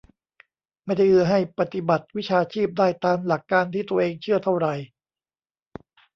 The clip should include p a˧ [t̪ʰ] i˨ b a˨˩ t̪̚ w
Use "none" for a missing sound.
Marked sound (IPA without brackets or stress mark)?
t̪